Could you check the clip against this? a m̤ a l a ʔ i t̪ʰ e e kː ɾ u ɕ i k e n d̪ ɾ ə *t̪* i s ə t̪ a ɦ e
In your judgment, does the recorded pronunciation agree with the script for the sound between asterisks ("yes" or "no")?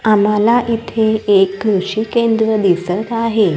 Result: no